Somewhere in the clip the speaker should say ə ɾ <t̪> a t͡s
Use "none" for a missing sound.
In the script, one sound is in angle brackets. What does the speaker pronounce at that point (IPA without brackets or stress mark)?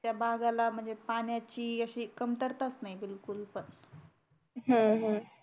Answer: t̪